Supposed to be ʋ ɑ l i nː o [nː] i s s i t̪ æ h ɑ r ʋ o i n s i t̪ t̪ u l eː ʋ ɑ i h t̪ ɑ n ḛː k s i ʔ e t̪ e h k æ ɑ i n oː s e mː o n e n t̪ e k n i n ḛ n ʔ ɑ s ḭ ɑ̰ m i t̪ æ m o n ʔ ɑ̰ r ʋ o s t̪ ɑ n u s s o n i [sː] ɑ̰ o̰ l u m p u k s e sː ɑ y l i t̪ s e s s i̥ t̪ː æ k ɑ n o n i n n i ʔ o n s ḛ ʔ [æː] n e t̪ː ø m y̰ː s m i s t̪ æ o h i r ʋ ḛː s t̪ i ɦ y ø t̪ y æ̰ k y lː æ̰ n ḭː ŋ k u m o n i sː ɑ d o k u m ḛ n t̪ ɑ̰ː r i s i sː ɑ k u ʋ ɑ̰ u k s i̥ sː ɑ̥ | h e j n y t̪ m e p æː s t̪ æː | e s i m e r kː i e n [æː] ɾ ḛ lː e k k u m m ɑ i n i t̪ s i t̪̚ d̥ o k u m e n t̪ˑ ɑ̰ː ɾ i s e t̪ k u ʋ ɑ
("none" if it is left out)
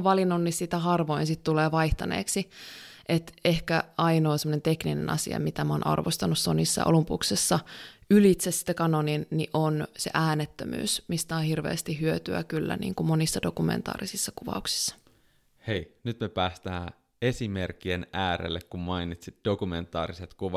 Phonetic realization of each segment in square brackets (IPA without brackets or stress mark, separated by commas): nː, sː, æː, æː